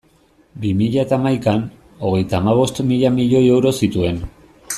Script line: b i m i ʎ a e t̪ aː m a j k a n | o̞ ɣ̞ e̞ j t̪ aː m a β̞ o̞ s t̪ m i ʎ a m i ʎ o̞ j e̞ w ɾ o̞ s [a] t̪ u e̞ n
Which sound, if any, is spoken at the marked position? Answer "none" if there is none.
i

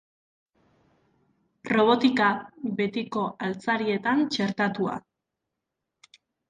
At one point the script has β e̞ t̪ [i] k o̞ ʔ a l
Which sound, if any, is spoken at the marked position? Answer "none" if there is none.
i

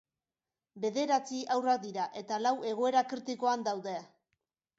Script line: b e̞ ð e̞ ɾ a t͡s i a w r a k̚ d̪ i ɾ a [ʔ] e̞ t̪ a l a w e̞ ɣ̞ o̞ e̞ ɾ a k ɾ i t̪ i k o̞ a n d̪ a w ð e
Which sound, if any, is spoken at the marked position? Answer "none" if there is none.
ʔ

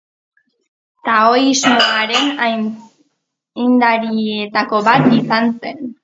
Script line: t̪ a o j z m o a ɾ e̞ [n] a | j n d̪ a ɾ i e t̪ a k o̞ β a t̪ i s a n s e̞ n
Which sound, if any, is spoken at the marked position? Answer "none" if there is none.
n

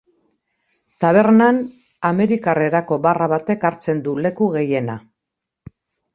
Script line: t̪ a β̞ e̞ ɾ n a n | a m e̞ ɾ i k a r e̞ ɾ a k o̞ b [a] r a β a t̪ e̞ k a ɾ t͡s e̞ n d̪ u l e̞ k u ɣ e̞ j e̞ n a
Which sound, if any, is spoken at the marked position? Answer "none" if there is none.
a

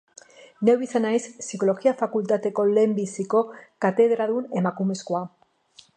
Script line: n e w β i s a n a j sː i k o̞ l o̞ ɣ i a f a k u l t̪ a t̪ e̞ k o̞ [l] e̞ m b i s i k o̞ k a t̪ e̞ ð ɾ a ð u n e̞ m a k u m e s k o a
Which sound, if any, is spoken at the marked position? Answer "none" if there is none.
l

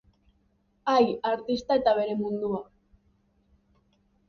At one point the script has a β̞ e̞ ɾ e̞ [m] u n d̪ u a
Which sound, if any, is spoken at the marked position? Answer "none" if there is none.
m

